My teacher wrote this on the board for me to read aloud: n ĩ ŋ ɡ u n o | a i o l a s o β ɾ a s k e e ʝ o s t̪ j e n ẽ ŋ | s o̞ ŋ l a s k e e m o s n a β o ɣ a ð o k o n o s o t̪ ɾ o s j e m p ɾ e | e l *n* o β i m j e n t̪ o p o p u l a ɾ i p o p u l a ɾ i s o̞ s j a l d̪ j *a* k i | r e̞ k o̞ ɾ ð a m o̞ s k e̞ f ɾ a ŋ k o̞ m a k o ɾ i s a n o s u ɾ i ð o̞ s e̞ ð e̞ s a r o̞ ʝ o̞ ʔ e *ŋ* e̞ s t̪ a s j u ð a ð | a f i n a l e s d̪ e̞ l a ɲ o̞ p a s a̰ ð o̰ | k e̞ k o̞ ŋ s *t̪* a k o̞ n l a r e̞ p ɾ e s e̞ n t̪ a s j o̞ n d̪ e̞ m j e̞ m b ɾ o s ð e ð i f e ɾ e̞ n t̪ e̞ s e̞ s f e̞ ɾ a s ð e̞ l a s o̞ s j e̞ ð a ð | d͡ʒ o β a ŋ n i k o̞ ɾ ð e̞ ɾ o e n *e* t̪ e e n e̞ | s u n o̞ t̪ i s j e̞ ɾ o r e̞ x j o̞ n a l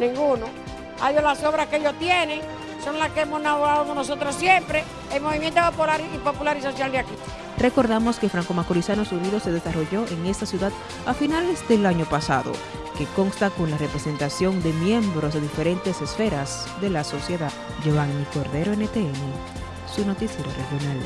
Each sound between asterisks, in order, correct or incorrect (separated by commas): incorrect, correct, correct, correct, correct